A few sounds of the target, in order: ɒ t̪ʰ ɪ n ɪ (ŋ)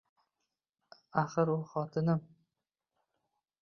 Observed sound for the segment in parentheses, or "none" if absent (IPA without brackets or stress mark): m